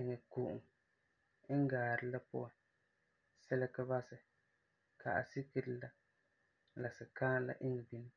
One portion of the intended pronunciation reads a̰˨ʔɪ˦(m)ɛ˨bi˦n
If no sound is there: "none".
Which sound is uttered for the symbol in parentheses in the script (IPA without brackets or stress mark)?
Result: ŋ